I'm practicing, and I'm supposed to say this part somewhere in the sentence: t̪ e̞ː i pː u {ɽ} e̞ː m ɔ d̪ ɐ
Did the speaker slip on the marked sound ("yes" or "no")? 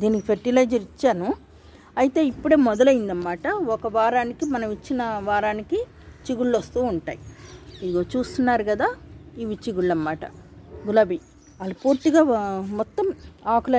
no